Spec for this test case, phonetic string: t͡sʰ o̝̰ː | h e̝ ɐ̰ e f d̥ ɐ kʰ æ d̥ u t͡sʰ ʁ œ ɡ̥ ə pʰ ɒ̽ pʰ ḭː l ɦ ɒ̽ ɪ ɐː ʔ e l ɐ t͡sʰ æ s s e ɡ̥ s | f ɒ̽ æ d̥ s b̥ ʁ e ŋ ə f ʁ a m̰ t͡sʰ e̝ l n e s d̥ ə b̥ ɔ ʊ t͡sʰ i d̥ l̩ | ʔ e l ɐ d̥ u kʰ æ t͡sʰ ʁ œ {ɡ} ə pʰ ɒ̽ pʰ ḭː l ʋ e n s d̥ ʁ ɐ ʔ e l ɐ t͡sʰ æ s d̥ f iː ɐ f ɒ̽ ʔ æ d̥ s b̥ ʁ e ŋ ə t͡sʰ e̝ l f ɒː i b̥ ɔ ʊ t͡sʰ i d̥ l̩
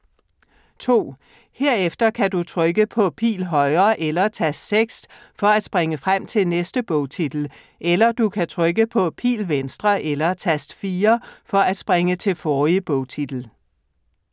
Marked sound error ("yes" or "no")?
no